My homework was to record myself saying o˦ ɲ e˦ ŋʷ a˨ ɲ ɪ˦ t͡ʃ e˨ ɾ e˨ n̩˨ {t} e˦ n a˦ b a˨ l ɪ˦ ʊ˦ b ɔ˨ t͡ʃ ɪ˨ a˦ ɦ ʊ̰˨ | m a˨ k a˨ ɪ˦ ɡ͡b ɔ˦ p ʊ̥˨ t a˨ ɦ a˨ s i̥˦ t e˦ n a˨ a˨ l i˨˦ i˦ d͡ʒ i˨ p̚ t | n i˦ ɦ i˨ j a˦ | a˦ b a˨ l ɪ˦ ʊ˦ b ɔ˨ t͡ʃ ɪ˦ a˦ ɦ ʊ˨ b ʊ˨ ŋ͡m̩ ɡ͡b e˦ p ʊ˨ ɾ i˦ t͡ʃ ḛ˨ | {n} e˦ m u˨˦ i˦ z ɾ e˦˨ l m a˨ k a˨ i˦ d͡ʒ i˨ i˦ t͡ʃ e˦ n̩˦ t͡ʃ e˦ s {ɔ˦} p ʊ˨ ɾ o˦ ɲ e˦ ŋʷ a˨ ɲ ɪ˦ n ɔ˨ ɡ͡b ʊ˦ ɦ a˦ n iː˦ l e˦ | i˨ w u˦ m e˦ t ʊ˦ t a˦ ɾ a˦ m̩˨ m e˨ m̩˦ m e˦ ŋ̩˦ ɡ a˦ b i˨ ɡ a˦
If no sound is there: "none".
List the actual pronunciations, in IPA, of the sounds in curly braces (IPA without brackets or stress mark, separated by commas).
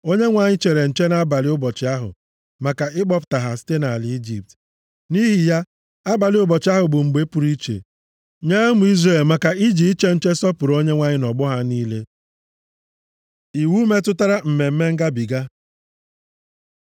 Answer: t͡ʃ, ɲ, ɔ˦